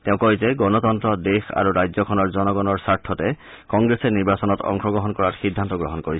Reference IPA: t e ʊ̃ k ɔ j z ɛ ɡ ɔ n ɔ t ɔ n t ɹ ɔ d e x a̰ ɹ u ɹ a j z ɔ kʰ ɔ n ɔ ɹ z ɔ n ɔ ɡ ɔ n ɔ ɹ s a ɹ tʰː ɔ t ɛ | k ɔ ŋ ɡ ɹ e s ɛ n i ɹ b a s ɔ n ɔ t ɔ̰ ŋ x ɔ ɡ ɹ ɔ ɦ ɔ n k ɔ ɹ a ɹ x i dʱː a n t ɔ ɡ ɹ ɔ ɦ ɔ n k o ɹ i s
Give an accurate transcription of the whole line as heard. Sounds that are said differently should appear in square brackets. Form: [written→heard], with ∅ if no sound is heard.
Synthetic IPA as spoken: t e ʊ̃ k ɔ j z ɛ ɡ ɔ n ɔ t ɔ n t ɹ ɔ d e x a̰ ɹ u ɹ a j z ɔ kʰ ɔ n ɔ ɹ z ɔ n ɔ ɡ ɔ n ɔ ɹ s a ɹ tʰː ɔ t ɛ | k ɔ ŋ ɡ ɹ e s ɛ n i ɹ b a s ɔ n ɔ t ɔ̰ ŋ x ɔ ɡ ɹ ɔ ɦ ɔ n k ɔ ɹ a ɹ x i dʱː a n t ɔ ɡ ɹ ɔ ɦ ɔ n k o ɹ i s